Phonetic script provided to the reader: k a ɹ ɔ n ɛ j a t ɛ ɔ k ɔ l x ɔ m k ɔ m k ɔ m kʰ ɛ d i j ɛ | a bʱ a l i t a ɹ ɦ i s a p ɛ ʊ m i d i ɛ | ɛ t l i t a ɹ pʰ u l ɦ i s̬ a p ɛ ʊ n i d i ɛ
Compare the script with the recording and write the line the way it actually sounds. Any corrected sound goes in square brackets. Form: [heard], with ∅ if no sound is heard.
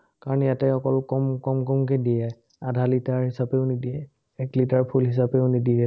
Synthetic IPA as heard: k a ɹ ɔ n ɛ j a t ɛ ɔ k ɔ l [k] ɔ m k ɔ m k ɔ m [k] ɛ d i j ɛ | a [dʱ] a l i t a ɹ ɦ i s a p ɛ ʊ [n] i d i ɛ | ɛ [k] l i t a ɹ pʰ u l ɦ i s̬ a p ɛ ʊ n i d i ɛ